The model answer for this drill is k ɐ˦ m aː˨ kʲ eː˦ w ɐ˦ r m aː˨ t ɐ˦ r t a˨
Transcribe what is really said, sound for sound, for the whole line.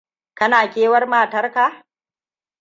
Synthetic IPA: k ɐ˦ n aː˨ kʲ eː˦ w ɐ˦ r m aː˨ t ɐ˦ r k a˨

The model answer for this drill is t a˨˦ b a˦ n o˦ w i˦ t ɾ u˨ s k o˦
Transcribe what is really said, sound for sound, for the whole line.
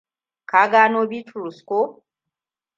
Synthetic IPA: k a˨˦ ɡ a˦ n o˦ b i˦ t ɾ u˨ s k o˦

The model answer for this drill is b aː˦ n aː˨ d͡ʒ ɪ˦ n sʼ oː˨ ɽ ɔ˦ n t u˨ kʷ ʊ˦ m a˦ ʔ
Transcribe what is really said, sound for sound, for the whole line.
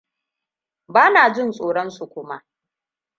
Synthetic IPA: b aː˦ n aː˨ d͡ʒ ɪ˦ n sʼ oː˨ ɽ ɔ˦ n s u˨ kʷ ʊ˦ m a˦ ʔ

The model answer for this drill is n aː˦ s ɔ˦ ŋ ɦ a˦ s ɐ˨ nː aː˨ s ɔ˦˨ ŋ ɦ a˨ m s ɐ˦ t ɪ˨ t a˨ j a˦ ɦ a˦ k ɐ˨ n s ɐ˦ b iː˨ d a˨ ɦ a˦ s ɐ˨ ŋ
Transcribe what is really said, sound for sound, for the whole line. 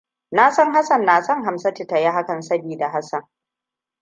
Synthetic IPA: n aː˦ s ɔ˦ ŋ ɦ a˦ s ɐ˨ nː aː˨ s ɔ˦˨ ŋ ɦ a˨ m s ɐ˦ t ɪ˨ t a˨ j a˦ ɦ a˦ k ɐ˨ n s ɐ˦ b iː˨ d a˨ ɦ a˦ s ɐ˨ ŋ

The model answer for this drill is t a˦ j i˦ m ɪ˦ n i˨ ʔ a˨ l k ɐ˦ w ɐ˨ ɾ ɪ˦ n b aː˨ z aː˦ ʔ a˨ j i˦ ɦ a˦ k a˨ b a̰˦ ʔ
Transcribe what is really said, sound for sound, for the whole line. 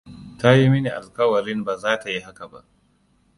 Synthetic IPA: t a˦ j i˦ m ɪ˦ n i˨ ʔ a˨ l k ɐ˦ w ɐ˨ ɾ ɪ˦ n b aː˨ z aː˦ t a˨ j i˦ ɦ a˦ k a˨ b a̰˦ ʔ

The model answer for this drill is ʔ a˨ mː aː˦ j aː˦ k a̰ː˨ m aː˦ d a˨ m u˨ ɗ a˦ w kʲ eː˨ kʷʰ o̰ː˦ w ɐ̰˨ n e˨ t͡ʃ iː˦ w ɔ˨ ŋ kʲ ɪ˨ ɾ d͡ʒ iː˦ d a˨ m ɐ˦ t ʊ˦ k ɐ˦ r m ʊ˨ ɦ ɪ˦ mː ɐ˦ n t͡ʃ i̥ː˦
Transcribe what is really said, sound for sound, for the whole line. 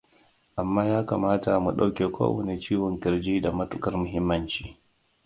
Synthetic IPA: ʔ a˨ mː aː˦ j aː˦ k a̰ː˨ m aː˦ t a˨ m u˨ ɗ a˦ w kʲ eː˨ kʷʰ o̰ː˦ w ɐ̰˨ n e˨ t͡ʃ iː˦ w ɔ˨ ŋ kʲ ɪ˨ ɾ d͡ʒ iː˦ d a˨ m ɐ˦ t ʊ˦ k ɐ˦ r m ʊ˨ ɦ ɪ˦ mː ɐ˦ n t͡ʃ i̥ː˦

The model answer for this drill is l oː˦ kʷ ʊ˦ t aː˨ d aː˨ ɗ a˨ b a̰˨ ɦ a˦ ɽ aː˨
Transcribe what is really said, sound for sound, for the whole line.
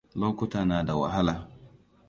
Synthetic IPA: l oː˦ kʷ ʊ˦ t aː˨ n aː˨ d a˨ w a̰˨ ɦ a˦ l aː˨

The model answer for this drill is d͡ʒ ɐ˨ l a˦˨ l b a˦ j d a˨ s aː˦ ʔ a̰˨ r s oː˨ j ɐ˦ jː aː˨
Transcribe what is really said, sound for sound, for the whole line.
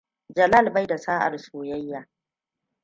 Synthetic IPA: d͡ʒ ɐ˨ l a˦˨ l b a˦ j d a˨ s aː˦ ʔ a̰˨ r s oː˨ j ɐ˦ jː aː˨

